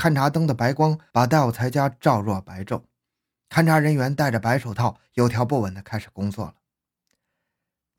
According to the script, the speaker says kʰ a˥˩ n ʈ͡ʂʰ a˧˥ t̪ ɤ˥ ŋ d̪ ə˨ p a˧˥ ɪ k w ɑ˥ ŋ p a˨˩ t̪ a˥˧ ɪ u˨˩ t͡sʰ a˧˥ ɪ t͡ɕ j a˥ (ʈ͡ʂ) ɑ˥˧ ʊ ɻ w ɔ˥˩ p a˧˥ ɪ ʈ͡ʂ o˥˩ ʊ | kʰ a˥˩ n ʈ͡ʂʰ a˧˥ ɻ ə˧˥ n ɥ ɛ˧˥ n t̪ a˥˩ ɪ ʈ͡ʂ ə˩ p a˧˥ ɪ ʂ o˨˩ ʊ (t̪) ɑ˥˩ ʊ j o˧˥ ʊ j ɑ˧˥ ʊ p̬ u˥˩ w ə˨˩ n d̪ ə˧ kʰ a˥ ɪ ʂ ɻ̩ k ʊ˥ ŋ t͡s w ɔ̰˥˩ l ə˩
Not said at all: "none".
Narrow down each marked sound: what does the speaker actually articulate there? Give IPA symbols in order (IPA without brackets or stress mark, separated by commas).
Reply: ʈ͡ʂ, t̪ʰ